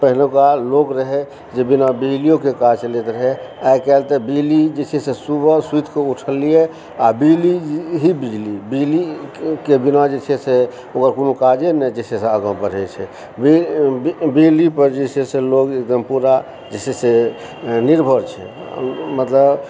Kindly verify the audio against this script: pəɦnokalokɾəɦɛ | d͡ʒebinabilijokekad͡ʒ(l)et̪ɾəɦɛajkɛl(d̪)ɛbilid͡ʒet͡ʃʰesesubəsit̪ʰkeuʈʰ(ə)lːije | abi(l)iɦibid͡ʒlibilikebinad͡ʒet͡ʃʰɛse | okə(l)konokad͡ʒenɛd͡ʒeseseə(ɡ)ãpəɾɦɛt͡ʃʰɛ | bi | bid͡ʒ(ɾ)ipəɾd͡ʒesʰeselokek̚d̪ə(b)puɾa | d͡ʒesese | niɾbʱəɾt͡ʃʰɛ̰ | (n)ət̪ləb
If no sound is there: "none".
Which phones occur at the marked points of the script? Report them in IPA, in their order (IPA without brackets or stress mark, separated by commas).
l, t̪, ə, l, ɾ, ɡ, l, m, m